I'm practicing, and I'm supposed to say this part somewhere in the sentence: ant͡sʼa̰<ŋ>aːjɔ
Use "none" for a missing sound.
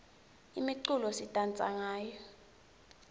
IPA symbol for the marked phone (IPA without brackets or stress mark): ŋ